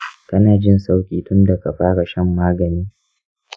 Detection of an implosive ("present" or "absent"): absent